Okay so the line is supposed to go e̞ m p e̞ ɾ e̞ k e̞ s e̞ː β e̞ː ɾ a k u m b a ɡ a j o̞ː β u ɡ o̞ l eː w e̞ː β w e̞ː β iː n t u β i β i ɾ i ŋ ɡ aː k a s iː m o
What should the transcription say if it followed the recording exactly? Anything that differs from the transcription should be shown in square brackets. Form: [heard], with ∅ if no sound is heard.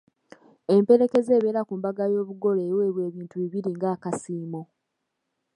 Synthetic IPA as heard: e̞ m p e̞ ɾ e̞ k e̞ [z] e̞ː β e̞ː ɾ a k u m b a ɡ a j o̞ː β u ɡ o̞ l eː w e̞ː β w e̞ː β iː n t u β i β i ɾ i ŋ ɡ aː k a s iː m o